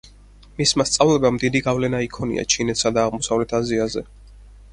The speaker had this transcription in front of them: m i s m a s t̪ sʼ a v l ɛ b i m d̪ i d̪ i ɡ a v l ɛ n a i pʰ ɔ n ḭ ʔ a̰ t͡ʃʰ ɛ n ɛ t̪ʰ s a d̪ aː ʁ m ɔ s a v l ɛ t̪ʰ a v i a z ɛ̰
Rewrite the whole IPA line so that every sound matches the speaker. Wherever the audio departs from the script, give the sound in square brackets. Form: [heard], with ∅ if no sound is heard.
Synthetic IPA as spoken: m i s m a s t̪ sʼ a v l ɛ b [a] m d̪ i d̪ i ɡ a v l ɛ n a i [kʰ] ɔ n ḭ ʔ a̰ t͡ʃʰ [i] n ɛ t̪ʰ s a d̪ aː ʁ m ɔ s a v l ɛ t̪ʰ a [z] i a z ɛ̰